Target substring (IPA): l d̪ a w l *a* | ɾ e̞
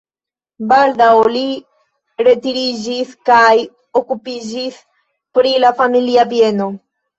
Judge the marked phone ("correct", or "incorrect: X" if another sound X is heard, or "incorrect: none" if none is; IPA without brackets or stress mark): incorrect: i